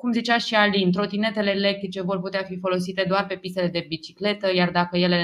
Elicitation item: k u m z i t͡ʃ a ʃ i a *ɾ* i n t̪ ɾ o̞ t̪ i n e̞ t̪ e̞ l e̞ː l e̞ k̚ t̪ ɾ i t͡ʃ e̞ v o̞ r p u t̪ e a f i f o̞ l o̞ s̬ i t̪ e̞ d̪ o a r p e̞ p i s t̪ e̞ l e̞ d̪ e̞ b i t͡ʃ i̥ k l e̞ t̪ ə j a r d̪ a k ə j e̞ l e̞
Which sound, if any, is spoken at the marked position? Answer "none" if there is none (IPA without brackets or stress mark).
l